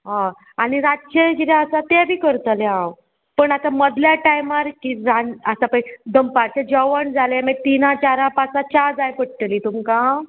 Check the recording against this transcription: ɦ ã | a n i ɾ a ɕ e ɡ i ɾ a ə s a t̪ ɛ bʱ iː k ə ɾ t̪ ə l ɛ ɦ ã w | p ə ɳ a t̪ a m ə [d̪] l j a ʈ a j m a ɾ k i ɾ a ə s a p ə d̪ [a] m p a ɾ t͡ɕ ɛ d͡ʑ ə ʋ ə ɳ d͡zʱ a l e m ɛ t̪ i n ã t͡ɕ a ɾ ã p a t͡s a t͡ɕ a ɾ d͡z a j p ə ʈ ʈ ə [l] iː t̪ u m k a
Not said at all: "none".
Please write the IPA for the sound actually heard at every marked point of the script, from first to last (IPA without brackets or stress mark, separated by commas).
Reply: d̪, ə, l